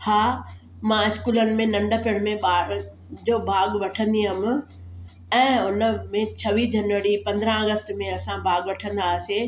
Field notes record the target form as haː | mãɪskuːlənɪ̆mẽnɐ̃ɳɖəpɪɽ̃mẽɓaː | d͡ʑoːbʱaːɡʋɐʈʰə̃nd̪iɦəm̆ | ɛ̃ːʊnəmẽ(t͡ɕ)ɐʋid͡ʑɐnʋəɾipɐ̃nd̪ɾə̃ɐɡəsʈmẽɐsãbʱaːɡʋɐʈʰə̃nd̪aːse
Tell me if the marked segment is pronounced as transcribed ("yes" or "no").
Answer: no